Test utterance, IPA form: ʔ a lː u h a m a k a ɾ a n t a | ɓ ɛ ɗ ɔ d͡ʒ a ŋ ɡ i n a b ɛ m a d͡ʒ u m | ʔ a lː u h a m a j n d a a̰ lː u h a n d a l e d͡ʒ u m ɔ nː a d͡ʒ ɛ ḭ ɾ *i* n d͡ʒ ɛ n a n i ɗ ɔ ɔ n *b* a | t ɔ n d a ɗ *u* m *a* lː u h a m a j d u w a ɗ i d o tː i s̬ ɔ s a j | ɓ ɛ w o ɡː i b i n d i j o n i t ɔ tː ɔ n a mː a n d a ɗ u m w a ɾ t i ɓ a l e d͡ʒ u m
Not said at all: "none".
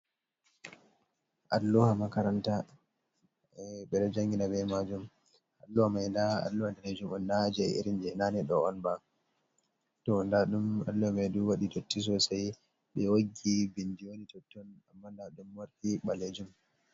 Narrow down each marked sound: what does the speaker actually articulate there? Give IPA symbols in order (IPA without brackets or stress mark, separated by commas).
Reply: i, b, u, a